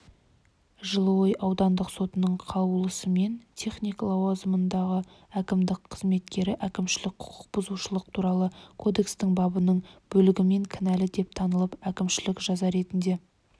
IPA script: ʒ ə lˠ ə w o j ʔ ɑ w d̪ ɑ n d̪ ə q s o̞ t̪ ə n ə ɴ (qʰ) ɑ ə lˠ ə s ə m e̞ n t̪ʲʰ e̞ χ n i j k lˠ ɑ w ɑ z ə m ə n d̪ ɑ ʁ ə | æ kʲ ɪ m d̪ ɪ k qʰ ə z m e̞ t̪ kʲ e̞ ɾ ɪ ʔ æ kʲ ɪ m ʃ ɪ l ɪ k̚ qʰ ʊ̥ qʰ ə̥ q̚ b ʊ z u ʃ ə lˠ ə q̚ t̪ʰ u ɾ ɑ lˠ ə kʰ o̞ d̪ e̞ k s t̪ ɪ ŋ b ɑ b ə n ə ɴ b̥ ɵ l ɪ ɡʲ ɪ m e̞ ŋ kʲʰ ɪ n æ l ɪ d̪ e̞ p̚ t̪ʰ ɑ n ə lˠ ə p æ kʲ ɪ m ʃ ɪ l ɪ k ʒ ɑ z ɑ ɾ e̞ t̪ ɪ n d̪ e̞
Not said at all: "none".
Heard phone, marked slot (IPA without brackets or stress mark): qʰ